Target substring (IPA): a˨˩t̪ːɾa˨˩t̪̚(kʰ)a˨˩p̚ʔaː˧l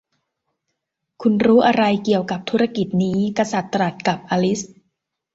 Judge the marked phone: incorrect: k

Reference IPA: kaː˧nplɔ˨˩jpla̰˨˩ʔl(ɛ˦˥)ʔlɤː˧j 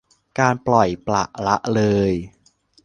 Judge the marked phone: incorrect: a˦˥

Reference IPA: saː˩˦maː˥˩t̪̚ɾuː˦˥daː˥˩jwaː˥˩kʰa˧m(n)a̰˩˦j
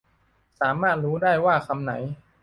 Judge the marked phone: correct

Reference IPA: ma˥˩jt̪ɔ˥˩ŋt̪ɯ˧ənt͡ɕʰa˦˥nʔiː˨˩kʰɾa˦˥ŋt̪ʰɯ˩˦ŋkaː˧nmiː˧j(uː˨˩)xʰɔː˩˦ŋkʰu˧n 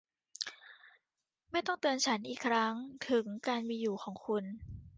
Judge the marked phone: correct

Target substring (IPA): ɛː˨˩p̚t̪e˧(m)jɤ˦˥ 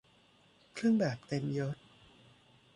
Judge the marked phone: correct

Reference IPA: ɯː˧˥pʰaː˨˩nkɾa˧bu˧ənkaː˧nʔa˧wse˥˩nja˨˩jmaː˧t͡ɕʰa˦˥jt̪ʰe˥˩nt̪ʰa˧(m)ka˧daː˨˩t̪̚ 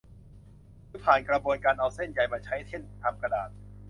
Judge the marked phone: correct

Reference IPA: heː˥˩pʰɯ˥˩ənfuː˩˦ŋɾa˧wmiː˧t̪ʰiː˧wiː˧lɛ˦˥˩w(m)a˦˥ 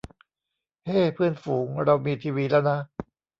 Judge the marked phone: incorrect: n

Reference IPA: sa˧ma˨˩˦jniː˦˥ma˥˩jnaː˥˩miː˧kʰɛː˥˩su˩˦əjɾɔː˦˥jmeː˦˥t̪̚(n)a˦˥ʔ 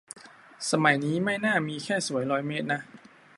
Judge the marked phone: correct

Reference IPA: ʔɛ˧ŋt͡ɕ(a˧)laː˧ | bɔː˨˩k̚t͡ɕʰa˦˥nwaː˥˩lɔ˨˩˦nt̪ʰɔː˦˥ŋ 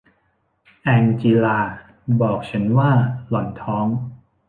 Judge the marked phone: incorrect: i˧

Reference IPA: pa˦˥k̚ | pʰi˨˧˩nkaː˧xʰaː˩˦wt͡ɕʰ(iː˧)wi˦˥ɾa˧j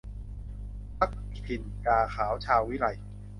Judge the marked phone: incorrect: aː˧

